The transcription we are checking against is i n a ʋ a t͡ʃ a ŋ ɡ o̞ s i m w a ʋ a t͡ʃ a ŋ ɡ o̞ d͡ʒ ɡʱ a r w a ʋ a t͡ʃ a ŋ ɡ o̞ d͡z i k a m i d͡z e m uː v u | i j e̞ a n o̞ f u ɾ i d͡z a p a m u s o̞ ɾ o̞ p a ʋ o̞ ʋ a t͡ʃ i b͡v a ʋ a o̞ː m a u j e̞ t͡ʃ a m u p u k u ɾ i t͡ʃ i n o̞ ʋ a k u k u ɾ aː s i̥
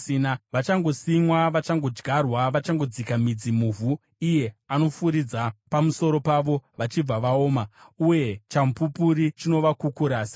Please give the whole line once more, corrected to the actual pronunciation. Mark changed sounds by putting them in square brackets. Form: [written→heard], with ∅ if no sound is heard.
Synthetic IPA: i n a ʋ a t͡ʃ a ŋ ɡ o̞ s i m w a ʋ a t͡ʃ a ŋ ɡ o̞ d͡ʒ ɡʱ a r w a ʋ a t͡ʃ a ŋ ɡ o̞ d͡z i k a m i d͡z [e→i] m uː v u | i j e̞ a n o̞ f u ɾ i d͡z a p a m u s o̞ ɾ o̞ p a ʋ o̞ ʋ a t͡ʃ i b͡v a ʋ a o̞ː m a u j e̞ t͡ʃ a m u p u [k→p] u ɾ i t͡ʃ i n o̞ ʋ a k u k u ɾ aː s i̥